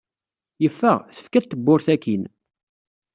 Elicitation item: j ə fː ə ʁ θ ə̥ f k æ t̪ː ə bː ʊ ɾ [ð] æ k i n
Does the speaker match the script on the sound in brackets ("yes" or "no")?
no